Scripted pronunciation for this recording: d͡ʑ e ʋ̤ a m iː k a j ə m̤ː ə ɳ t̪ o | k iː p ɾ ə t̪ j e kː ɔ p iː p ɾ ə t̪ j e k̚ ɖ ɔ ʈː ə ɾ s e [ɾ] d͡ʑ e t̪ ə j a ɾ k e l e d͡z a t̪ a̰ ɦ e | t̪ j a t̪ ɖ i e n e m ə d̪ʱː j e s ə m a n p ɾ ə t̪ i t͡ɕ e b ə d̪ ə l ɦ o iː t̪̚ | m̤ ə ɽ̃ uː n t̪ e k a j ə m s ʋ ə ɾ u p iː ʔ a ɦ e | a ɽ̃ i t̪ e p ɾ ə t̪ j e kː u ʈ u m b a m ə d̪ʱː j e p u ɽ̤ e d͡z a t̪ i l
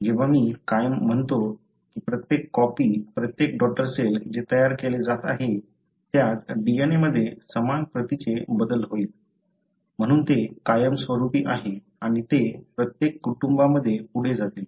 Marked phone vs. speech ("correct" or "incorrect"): incorrect